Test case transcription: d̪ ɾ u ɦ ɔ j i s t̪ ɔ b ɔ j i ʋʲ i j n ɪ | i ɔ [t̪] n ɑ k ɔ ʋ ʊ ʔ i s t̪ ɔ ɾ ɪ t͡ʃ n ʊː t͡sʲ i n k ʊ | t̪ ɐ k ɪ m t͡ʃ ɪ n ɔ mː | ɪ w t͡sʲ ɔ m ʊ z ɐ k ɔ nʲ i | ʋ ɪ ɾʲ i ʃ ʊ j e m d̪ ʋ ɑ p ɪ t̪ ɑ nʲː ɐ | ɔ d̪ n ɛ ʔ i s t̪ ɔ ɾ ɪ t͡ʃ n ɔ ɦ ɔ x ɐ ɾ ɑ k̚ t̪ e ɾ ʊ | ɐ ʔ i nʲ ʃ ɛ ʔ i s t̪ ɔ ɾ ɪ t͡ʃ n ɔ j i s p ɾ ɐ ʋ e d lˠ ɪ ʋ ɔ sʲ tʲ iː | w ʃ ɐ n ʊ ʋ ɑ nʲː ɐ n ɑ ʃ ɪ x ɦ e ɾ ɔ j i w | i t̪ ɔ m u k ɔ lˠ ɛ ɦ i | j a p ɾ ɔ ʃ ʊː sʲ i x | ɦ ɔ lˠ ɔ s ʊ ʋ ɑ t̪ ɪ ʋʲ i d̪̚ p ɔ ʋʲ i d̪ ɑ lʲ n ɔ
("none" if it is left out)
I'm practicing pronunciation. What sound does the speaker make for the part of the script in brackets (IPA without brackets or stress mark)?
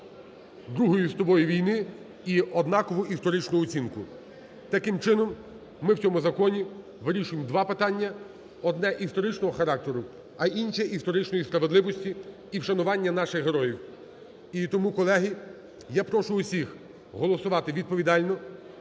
d̪